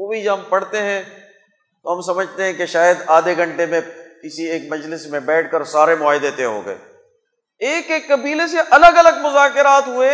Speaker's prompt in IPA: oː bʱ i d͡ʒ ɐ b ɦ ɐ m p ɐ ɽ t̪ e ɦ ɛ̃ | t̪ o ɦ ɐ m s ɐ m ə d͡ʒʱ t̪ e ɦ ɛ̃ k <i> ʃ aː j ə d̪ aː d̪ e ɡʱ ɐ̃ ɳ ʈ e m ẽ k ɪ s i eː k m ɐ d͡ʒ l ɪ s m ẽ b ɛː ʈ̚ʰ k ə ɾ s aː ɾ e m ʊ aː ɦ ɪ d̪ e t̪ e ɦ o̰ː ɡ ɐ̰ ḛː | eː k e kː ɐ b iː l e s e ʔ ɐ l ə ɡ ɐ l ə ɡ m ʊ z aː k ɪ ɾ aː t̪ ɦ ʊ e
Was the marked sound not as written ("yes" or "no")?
yes